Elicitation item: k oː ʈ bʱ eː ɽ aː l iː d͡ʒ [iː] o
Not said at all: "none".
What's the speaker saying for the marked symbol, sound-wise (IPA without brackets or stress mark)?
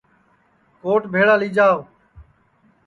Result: aː